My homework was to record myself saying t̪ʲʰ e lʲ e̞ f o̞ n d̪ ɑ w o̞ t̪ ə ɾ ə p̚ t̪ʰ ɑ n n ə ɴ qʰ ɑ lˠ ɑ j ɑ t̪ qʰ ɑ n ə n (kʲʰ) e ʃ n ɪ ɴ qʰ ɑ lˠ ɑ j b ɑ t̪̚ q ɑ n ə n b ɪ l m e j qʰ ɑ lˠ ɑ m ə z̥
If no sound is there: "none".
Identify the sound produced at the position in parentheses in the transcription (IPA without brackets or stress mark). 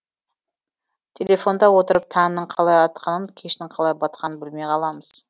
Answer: kʲʰ